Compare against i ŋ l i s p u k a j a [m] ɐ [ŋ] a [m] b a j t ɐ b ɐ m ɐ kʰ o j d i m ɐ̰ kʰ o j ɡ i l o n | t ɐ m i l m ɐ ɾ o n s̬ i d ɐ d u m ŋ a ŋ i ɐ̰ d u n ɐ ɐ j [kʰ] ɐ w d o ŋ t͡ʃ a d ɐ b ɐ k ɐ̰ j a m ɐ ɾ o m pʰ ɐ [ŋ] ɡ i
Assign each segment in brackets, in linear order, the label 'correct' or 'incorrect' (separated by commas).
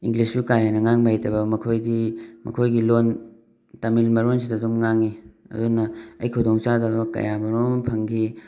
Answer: incorrect, correct, incorrect, correct, correct